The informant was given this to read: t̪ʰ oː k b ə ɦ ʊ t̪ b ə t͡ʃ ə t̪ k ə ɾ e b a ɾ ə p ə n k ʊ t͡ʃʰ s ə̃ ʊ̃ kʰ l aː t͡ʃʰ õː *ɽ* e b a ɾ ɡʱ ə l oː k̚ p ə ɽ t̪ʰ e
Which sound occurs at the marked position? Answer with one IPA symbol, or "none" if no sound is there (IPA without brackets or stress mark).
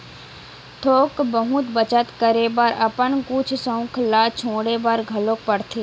ɽ